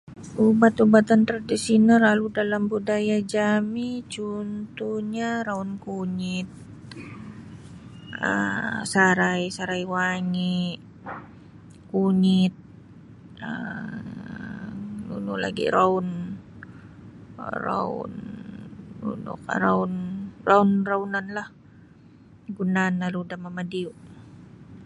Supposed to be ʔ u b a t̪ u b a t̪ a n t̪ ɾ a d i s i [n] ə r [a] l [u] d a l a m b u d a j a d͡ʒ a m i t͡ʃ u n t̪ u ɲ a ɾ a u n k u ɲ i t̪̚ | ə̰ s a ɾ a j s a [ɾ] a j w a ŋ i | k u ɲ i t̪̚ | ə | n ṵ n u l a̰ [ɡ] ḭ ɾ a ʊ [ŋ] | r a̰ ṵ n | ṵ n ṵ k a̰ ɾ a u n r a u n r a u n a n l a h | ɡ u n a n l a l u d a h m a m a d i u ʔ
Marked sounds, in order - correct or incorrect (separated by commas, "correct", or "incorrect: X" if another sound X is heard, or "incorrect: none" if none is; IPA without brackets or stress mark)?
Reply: correct, correct, correct, correct, correct, incorrect: n